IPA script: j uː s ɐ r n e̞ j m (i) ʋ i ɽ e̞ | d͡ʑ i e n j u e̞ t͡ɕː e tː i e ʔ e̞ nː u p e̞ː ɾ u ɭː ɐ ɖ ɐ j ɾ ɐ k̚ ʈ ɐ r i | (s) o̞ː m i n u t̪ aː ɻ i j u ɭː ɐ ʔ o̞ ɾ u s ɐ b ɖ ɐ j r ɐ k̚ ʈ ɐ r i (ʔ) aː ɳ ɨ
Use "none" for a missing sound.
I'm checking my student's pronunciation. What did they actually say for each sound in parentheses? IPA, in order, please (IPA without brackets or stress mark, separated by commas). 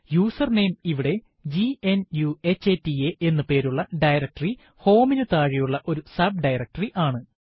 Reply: i, h, ʔ